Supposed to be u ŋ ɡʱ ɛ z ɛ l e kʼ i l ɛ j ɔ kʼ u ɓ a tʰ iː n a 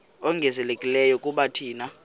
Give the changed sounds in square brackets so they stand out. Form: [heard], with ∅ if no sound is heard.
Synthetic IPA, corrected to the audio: [ɔ] ŋ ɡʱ ɛ z ɛ l e kʼ i l ɛ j ɔ kʼ u ɓ a tʰ iː n a